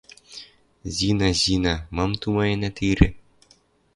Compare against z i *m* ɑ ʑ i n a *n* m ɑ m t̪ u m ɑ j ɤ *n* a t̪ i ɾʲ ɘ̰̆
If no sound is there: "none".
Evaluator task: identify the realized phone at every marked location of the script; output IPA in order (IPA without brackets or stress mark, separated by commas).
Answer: n, none, n